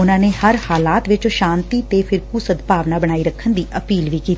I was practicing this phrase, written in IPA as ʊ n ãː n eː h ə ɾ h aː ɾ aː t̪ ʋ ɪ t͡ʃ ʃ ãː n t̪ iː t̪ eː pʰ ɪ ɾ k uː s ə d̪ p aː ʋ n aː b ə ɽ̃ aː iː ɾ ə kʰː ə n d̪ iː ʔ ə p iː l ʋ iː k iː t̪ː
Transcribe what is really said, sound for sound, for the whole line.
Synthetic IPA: ʊ n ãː n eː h ə ɾ h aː l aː t̪ ʋ ɪ t͡ʃ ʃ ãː n t̪ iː t̪ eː pʰ ɪ ɾ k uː s ə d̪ p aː ʋ n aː b ə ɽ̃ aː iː ɾ ə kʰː ə n d̪ iː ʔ ə p iː l ʋ iː k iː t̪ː